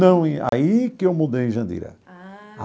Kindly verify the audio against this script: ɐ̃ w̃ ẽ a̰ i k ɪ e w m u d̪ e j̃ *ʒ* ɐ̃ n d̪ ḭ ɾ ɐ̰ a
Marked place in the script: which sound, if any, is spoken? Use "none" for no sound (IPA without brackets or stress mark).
ʒ